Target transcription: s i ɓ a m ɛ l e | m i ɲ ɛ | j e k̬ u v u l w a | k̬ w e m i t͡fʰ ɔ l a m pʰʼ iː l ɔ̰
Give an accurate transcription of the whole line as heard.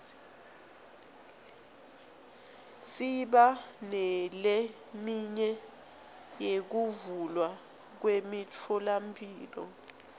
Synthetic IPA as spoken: s i ɓ a n ɛ l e | m i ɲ ɛ | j e k̬ u v u l w a | k̬ w e m i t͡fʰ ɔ l a m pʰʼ iː l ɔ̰